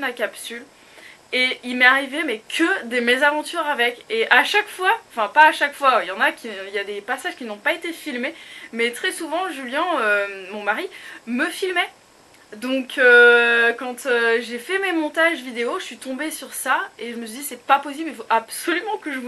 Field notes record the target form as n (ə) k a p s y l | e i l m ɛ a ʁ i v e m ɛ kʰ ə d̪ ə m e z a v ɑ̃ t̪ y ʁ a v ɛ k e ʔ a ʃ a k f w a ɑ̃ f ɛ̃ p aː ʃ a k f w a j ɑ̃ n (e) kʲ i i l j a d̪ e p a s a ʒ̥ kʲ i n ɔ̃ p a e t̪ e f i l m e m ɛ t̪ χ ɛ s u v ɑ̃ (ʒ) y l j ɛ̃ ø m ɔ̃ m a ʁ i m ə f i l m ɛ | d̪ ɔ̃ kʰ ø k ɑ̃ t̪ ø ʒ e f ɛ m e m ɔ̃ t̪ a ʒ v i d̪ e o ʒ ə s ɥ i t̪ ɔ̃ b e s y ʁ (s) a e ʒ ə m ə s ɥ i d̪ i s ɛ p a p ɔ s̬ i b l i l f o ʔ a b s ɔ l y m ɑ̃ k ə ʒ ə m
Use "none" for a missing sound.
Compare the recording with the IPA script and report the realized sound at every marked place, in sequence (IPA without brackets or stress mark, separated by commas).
a, a, ʒ, s